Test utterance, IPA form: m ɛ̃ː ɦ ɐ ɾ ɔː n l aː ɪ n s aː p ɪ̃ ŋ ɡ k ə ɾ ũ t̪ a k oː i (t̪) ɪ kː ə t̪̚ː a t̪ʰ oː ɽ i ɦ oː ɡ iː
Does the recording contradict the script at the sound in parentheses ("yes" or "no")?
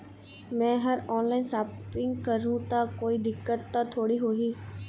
yes